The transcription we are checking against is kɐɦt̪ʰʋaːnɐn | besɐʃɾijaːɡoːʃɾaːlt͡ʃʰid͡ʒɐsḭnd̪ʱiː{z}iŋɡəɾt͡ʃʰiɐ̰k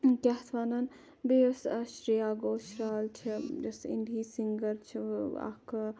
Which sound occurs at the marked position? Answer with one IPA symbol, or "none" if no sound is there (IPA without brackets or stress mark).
s